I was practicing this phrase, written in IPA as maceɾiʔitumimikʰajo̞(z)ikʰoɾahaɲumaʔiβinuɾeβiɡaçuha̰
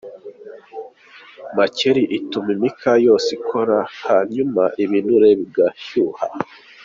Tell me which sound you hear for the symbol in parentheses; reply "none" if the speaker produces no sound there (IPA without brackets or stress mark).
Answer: s